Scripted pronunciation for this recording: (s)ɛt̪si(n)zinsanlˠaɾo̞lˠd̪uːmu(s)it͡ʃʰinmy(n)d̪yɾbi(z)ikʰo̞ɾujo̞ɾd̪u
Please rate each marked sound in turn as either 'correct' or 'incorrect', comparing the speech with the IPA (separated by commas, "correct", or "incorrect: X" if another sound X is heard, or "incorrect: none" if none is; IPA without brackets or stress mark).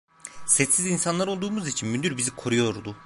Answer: correct, incorrect: none, incorrect: z, correct, correct